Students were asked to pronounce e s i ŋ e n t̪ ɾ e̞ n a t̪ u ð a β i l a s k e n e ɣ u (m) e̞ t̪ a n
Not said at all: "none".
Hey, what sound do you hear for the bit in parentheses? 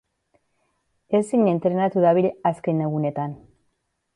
n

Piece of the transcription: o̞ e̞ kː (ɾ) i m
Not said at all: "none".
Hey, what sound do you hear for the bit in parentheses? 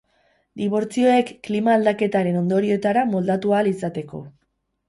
l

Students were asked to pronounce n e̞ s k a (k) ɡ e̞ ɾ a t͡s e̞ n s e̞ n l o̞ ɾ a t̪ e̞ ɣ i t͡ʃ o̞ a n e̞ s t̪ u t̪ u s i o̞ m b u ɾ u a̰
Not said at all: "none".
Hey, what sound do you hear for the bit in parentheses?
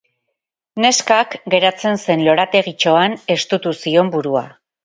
k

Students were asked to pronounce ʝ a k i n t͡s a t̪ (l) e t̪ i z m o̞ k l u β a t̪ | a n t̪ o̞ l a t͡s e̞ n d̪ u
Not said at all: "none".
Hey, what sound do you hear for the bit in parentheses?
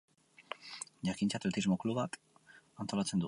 l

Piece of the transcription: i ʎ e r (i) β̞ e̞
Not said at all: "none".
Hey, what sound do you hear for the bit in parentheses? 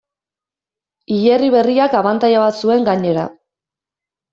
i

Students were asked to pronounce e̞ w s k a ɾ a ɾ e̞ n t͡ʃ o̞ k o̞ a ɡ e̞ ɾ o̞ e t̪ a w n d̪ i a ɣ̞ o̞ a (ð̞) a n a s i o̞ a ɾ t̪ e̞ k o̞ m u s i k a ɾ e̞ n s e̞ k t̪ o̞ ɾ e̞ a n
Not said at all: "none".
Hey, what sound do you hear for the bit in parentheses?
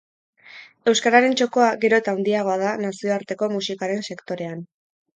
ð̞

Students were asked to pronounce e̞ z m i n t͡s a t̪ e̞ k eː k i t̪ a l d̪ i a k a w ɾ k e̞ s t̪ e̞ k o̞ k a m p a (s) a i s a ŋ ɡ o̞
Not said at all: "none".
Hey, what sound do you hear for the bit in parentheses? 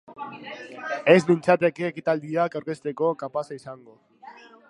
s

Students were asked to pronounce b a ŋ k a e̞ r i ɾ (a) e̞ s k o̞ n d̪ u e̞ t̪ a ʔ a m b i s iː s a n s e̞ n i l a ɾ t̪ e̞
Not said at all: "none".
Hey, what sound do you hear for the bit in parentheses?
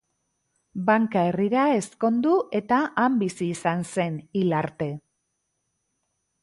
a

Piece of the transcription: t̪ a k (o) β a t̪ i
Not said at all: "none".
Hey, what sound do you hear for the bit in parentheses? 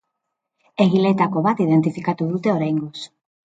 o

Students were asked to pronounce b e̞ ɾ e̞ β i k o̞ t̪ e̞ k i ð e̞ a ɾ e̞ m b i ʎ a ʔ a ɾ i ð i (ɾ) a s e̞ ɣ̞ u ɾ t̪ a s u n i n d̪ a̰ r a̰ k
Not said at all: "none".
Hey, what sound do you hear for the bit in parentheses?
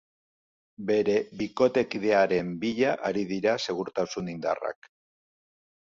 ɾ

